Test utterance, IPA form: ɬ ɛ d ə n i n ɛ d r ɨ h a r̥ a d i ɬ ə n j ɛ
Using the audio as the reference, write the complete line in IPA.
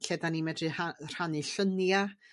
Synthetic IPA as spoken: ɬ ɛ d a n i m ɛ d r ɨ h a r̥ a n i ɬ ə n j a

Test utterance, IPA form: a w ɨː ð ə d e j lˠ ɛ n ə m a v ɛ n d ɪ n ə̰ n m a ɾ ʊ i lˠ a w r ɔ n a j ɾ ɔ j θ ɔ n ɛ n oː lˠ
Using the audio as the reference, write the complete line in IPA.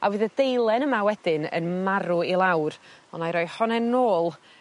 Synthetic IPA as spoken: a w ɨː ð ə d e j lˠ ɛ n ə m a w ɛ d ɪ n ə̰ n m a ɾ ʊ i lˠ a w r ɔ n a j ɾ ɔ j h ɔ n ɛ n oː lˠ

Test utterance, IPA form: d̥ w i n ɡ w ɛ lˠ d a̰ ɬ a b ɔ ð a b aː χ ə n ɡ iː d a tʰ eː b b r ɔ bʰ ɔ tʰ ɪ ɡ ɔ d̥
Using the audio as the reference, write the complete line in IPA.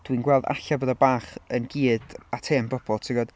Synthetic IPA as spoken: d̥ w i n ɡ w ɛ lˠ d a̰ ɬ a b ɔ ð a b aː χ ə n ɡ iː d a tʰ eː m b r ɔ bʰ ɔ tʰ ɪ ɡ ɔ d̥

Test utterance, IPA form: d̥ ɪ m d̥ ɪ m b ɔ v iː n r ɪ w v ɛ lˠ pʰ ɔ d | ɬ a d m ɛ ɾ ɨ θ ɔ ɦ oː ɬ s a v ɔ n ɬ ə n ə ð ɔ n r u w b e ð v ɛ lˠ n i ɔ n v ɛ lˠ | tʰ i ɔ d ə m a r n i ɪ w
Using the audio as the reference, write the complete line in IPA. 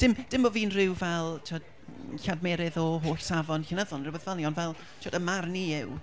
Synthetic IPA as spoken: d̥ ɪ m d̥ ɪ m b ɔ v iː n r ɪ w v ɛ lˠ tʰ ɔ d | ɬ a d m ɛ ɾ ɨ ð ɔ ɦ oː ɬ s a v ɔ n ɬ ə n ə ð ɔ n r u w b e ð v ɛ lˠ n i ɔ n v ɛ lˠ | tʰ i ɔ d ə m a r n i ɪ w

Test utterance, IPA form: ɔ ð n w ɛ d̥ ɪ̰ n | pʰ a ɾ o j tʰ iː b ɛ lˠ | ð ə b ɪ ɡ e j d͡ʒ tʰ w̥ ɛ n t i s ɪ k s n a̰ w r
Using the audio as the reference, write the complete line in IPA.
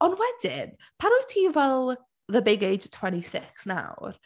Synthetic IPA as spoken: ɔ n w ɛ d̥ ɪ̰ n | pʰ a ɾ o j tʰ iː v ɛ lˠ | ð ə b ɪ ɡ e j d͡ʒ tʰ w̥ ɛ n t i s ɪ k s n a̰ w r

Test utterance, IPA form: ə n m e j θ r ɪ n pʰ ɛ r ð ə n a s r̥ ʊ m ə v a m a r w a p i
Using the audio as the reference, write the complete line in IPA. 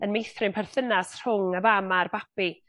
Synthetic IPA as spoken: ə n m e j θ r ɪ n pʰ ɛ r θ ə n a s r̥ ʊ ŋ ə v a m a r b a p i

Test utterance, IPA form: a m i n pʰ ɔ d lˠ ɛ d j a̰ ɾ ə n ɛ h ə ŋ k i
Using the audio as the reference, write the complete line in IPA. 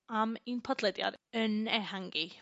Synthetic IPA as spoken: a m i n pʰ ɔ d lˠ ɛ d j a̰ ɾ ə n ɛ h a ŋ ɡ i

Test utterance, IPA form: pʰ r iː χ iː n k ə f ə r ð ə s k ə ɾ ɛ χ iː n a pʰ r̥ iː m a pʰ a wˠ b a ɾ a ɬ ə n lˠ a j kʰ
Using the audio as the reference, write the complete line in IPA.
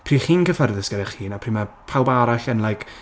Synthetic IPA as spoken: pʰ r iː χ iː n k ə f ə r ð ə s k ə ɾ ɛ χ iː n a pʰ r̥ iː m a pʰ a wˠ b a ɾ a ɬ ə n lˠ a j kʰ

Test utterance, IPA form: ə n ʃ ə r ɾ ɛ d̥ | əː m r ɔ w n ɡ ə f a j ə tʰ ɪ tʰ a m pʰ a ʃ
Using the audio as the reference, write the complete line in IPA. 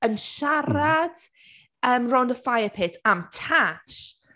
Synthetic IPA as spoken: ə n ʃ a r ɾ a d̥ | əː m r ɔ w n d ə f a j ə pʰ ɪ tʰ a m tʰ a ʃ

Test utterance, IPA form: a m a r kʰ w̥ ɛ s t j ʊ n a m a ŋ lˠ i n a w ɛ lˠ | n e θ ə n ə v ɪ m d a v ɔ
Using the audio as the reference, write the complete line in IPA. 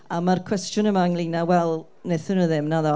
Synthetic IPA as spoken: a m a r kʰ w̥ ɛ s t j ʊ n ə m a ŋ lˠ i n a w ɛ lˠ | n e θ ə n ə ð ɪ m n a ð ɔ

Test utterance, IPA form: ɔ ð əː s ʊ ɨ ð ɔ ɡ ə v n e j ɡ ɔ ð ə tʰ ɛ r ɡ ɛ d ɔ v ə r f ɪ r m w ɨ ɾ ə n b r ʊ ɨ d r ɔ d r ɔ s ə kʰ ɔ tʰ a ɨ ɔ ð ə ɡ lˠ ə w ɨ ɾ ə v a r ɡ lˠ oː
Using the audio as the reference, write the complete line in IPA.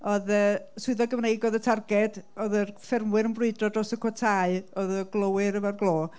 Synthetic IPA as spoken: ɔ ð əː s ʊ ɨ ð ɔ ɡ ə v n e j ɡ ɔ ð ə tʰ a r ɡ ɛ d ɔ ð ə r f ɪ r m w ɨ ɾ ə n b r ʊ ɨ d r ɔ d r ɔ s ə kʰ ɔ tʰ a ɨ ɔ ð ə ɡ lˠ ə w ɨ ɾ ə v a r ɡ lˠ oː

